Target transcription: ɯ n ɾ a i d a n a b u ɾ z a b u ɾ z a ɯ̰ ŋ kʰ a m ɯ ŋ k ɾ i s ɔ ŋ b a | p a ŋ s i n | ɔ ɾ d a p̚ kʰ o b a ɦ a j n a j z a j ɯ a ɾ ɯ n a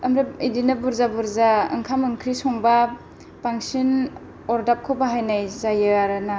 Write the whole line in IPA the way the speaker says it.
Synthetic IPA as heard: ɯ m ɾ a i d i n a b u ɾ z a b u ɾ z a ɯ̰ ŋ kʰ a m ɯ ŋ kʰ ɾ i s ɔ ŋ b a | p a ŋ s i n | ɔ ɾ d a p̚ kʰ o b a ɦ a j n a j z a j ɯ a ɾ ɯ n a